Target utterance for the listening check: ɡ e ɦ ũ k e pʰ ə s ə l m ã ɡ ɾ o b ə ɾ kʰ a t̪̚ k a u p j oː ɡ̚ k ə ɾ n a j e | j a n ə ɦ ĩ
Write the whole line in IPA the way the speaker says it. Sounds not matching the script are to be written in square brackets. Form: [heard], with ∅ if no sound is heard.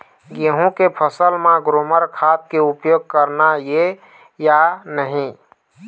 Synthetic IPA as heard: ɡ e ɦ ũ k e pʰ ə s ə l m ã ɡ ɾ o [m] ə ɾ kʰ a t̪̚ k [e] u p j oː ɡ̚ k ə ɾ n a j e | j a n ə ɦ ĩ